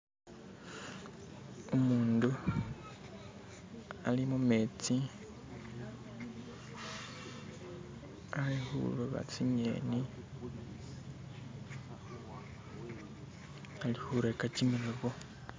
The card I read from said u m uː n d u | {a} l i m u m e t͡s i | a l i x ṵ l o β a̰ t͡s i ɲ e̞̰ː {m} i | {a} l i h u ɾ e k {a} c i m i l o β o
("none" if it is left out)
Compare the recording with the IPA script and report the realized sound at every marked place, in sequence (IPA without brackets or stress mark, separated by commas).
a, n, a, a